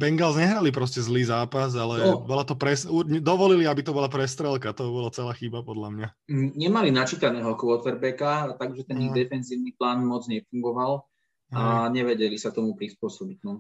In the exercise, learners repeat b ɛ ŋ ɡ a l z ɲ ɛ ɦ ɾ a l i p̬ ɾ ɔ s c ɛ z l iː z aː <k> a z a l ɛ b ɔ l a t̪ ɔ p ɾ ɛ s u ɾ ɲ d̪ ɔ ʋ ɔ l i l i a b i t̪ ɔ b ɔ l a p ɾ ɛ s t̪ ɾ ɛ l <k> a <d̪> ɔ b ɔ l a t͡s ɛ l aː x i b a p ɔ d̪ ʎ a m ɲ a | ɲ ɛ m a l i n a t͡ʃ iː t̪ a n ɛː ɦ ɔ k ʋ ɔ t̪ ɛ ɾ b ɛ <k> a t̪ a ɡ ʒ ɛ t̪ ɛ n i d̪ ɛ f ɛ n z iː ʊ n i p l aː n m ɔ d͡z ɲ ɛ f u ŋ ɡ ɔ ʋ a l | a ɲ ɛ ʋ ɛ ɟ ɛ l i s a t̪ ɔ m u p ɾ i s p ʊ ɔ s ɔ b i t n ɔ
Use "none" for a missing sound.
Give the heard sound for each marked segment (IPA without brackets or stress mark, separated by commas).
p, k, t̪, k